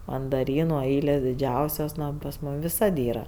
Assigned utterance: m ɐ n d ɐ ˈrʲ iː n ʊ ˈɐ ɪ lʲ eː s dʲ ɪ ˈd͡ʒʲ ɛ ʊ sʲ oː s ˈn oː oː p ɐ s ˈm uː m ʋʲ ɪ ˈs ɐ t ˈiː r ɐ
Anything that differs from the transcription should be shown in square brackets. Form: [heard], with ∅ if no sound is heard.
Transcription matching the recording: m ɐ n d ɐ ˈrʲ iː n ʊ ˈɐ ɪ lʲ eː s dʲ ɪ ˈd͡ʒʲ ɛ ʊ sʲ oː s ˈn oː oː p ɐ s ˈm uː m ʋʲ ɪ ˈs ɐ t ˈiː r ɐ

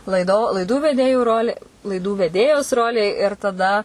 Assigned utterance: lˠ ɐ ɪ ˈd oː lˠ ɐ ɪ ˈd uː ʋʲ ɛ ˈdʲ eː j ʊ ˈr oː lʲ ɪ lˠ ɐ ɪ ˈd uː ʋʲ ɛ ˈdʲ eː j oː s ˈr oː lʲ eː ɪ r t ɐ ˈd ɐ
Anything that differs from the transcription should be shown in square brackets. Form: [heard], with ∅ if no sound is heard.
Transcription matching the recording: lˠ ɐ ɪ ˈd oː lˠ ɐ ɪ ˈd uː ʋʲ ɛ ˈdʲ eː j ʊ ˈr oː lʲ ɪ lˠ ɐ ɪ ˈd uː ʋʲ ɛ ˈdʲ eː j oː s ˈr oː lʲ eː ɪ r t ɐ ˈd ɐ

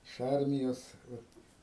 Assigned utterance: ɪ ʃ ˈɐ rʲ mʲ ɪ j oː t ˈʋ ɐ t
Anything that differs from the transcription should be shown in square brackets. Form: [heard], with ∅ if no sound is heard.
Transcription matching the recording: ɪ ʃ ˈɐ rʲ mʲ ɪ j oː [s] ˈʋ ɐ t

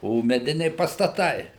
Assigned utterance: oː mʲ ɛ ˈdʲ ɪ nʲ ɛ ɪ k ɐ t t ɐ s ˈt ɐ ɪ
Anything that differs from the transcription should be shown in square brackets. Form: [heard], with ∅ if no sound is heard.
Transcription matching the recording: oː mʲ ɛ ˈdʲ ɪ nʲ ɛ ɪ [p] ɐ [s] t ɐ [∅] ˈt ɐ ɪ

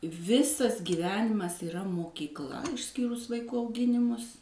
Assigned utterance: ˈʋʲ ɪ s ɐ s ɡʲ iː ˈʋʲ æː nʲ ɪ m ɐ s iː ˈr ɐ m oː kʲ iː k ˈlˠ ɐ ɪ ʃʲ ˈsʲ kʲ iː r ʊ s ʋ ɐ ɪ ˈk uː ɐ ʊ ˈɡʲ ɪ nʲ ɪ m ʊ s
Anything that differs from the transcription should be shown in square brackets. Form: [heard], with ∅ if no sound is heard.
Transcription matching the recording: ˈʋʲ ɪ s ɐ s ɡʲ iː ˈʋʲ æː nʲ ɪ m ɐ s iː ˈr ɐ m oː kʲ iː k ˈlˠ ɐ ɪ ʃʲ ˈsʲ kʲ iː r ʊ s ʋ ɐ ɪ ˈk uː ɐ ʊ ˈɡʲ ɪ nʲ ɪ m ʊ s

